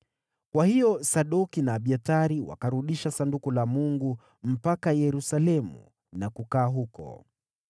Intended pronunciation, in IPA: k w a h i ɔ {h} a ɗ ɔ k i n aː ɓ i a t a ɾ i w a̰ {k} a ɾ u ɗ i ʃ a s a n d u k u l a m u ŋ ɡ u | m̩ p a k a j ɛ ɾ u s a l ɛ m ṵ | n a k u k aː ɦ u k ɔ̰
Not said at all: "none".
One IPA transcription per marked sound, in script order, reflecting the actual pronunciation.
s, k

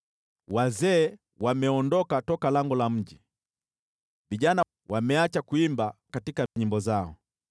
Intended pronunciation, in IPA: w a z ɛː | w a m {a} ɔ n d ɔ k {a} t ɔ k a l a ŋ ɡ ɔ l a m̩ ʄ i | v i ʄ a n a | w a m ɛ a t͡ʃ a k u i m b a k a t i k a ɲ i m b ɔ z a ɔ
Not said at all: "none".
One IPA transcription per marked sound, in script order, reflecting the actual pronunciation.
ɛ, a

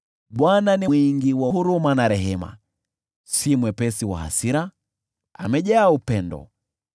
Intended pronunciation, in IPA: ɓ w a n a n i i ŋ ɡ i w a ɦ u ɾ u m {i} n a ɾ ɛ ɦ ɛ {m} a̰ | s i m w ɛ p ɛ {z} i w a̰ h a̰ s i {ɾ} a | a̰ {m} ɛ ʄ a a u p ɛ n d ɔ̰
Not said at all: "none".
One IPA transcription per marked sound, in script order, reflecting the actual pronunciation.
a, m, s, ɾ, m

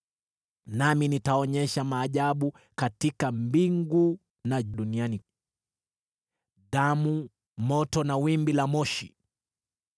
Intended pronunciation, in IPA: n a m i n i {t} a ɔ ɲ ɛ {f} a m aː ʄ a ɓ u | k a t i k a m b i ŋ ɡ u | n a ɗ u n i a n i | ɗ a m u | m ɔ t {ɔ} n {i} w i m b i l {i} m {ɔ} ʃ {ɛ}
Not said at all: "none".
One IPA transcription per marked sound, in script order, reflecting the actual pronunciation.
t, ʃ, ɔ, a, a, ɔ, i

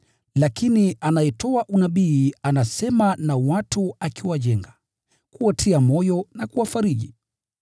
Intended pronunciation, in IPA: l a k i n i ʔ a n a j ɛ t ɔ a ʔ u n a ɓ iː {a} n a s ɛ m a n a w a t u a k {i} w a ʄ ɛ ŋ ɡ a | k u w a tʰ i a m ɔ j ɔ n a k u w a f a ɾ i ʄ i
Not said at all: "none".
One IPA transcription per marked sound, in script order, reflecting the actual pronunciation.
a, i

